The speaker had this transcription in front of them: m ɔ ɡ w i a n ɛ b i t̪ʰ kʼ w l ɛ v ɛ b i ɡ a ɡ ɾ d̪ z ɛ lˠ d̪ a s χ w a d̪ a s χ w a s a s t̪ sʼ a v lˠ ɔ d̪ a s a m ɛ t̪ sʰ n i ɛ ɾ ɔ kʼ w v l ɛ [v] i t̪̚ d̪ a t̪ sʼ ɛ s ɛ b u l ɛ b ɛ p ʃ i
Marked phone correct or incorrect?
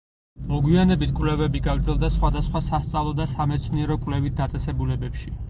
correct